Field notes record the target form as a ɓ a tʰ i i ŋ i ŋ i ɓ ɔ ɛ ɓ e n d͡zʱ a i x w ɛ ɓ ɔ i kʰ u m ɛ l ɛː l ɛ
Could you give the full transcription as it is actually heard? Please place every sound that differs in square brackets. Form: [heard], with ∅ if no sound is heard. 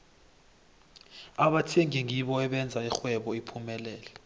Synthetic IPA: a ɓ a tʰ i [ɛ] ŋ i ŋ i ɓ ɔ ɛ ɓ [ɛ] n d͡zʱ a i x w ɛ ɓ ɔ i [pʰ] u m ɛ l ɛː l ɛ